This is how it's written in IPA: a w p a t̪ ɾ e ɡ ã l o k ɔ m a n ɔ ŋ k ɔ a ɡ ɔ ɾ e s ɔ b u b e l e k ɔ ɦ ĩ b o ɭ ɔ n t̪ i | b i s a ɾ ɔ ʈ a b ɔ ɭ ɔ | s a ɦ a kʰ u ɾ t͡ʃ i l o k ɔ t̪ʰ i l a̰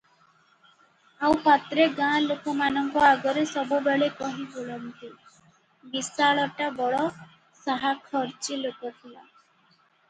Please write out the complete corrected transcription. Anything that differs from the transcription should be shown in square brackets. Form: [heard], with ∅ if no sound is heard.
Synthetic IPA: a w p a t̪ ɾ e ɡ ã l o k ɔ m a n ɔ ŋ k ɔ a ɡ ɔ ɾ e s ɔ b u b e [ɭ] e k ɔ ɦ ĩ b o ɭ ɔ n t̪ i | b i s a [ɭ] ɔ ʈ a b ɔ ɭ ɔ | s a ɦ a kʰ [ɔ] ɾ t͡ʃ i l o k ɔ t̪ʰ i l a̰